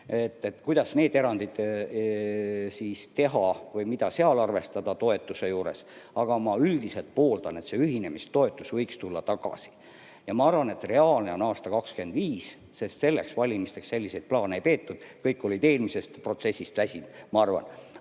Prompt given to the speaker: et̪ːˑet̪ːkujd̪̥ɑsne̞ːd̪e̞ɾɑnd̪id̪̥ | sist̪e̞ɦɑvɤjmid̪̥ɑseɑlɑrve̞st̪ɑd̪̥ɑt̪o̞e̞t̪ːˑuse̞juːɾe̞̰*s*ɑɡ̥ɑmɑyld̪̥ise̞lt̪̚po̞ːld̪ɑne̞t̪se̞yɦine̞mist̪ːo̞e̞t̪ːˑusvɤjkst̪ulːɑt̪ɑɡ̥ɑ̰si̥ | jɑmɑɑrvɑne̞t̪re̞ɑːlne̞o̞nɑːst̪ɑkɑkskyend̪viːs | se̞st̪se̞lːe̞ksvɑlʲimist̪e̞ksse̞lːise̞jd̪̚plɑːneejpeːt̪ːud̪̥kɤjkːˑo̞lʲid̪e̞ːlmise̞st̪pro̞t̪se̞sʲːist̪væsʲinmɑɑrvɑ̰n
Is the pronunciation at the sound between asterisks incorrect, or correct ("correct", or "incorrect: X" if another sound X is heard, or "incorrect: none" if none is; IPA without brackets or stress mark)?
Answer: correct